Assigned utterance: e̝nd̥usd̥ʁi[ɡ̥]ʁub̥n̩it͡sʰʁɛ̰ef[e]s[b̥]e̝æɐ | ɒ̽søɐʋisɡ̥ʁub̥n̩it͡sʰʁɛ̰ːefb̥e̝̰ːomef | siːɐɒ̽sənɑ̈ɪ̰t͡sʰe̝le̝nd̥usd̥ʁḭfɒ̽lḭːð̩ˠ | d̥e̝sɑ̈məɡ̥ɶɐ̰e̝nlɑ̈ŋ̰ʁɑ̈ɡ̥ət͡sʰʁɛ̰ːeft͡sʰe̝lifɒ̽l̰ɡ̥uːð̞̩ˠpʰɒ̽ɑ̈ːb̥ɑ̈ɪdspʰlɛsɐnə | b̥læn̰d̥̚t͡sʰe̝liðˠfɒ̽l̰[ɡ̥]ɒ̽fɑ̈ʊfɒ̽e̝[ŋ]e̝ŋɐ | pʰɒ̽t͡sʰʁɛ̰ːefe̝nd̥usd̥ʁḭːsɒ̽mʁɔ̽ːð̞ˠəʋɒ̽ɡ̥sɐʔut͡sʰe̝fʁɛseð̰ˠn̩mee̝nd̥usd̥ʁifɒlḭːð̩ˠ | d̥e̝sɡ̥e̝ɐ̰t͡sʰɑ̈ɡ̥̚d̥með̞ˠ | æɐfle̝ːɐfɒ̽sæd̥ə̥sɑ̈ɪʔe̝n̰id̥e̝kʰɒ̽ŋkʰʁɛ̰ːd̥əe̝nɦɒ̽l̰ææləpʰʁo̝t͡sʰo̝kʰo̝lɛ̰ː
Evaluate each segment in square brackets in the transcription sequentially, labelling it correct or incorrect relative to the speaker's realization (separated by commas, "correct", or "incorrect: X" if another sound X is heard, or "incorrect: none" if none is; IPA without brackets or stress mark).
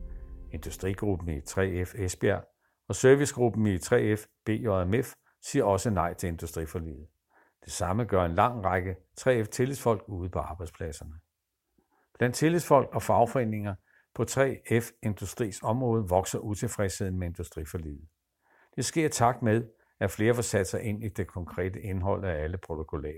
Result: correct, correct, correct, correct, incorrect: n